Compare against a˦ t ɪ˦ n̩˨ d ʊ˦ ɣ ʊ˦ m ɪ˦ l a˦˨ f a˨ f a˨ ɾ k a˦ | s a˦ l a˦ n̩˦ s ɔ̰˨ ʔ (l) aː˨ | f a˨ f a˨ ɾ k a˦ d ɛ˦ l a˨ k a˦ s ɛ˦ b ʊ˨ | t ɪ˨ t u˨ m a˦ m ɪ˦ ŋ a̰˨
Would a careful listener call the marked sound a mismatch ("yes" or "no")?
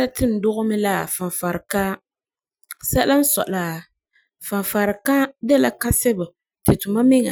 no